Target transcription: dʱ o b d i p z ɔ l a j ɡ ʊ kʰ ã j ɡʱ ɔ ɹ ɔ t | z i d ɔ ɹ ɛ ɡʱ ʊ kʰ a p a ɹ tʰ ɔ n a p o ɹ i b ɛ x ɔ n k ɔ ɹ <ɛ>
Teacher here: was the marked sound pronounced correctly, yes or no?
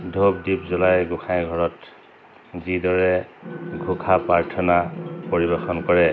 yes